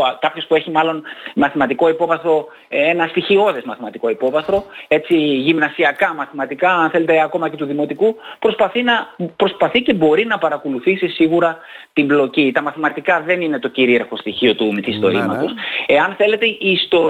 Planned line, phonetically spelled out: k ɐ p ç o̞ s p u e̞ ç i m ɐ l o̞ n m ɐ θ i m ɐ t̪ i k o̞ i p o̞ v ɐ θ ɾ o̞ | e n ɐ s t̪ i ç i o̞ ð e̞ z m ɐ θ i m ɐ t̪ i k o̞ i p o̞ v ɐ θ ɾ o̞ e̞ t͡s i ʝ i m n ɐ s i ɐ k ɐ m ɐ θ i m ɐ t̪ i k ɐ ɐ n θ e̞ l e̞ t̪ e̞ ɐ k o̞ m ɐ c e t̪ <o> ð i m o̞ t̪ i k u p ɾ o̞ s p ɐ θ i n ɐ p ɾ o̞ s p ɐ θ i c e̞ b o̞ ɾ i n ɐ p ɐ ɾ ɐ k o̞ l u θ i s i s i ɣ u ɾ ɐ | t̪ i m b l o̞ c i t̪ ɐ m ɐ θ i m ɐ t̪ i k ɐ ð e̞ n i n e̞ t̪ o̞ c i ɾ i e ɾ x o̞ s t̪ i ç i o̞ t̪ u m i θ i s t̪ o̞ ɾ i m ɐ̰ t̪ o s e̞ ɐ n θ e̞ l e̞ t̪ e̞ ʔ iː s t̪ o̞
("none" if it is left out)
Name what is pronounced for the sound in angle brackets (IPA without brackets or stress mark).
u